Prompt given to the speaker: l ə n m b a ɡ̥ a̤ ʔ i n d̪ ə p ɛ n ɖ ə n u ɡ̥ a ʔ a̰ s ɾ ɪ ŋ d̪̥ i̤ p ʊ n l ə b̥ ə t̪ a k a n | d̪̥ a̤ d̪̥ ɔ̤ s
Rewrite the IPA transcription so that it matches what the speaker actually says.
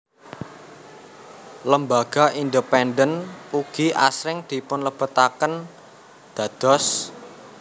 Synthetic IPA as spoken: l ə m b a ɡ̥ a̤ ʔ i n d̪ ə p ɛ n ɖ ə n u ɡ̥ i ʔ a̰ s ɾ ɪ ŋ d̪̥ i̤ p ʊ n l ə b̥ ə t̪ a k ə n | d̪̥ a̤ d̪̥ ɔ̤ s